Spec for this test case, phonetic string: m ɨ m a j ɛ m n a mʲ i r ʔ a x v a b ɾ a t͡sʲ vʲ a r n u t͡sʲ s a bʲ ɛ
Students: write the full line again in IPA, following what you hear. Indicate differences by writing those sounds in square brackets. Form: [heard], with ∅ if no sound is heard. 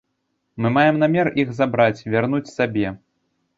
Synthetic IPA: m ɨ m a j ɛ m n a mʲ [ɛ] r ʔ [i] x [z] a b ɾ a t͡sʲ vʲ a r n u t͡sʲ s a bʲ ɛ

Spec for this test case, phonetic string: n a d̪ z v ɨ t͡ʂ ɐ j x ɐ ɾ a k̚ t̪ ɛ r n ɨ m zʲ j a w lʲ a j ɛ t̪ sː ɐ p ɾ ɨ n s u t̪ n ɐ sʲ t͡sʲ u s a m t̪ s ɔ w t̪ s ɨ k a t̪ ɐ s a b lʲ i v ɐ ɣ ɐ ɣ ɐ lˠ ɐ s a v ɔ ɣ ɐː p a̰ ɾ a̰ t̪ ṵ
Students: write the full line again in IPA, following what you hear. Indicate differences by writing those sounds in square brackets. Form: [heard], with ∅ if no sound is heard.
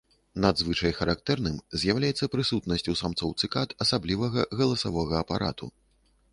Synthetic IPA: n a d̪ z v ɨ t͡ʂ ɐ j x ɐ ɾ a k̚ t̪ ɛ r n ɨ m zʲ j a w lʲ a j ɛ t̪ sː ɐ p ɾ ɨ [∅] s u t̪ n ɐ sʲ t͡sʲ u s a m t̪ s ɔ w t̪ s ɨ k a t̪ ɐ s a b lʲ i v ɐ ɣ ɐ ɣ ɐ lˠ ɐ s a v ɔ ɣ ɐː p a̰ ɾ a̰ t̪ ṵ

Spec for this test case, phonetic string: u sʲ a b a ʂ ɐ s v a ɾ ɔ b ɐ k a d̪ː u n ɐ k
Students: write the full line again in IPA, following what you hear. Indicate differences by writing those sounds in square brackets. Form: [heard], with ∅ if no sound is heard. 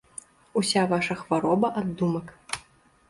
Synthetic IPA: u sʲ a [v] a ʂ ɐ [x] v a ɾ ɔ b ɐ [ʔ] a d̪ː u [m] ɐ k

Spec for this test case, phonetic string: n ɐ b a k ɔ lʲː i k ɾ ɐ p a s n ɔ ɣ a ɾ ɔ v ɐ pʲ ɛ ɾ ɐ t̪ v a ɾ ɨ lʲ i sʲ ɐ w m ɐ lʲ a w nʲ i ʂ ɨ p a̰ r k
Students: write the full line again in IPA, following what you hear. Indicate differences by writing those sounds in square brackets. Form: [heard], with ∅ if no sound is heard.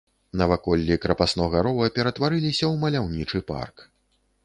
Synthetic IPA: n ɐ [v] a k ɔ lʲː i k ɾ ɐ p a s n ɔ ɣ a ɾ ɔ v ɐ pʲ ɛ ɾ ɐ t̪ v a ɾ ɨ lʲ i sʲ ɐ w m ɐ lʲ a w nʲ i [t͡ʂ] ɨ p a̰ r k

